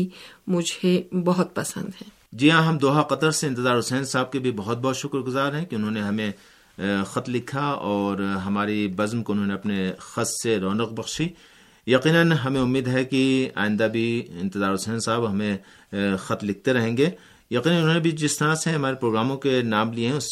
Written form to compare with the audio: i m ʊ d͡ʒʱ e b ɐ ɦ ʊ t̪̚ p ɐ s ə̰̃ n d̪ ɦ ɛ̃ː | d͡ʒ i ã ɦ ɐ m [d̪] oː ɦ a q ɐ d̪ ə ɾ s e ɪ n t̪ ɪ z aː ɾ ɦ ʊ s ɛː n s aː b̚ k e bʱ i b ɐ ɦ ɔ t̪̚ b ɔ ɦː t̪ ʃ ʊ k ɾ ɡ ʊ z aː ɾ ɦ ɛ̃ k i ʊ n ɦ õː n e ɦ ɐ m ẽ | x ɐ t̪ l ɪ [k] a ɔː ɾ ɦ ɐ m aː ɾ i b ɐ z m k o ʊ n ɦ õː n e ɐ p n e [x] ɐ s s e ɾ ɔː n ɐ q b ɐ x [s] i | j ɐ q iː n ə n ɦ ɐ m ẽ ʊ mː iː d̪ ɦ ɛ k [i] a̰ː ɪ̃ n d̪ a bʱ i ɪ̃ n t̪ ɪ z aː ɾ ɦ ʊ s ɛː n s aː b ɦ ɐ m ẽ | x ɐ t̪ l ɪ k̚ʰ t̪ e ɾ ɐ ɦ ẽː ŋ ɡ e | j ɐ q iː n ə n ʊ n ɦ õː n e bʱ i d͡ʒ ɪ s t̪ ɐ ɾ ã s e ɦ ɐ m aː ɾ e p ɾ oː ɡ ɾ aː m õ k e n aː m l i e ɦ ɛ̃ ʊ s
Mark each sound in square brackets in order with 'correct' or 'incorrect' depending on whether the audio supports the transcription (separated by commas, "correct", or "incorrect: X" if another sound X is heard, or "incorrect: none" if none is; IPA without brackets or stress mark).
correct, incorrect: kʰ, correct, incorrect: ʃ, correct